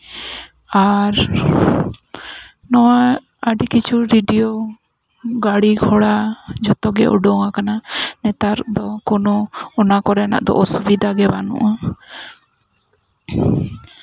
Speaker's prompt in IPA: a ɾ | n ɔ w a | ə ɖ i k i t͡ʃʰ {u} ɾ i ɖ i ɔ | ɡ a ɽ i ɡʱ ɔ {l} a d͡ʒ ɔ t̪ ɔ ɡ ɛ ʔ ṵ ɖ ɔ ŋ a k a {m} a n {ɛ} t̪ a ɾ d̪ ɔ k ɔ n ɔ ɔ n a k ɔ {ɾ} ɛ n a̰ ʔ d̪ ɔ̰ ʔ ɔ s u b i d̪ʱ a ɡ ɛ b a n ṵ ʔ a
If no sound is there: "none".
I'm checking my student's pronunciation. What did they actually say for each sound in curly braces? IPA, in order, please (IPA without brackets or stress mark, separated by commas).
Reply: u, ɽ, n, ɛ, ɾ